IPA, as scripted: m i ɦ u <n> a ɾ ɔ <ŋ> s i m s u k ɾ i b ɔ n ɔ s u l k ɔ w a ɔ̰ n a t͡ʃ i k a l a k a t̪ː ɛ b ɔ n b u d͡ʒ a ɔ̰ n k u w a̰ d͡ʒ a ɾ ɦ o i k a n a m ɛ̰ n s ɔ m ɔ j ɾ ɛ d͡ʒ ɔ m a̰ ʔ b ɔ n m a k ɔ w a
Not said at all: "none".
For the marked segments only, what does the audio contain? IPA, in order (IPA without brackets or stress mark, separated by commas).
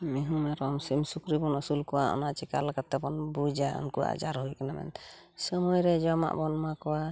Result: m, m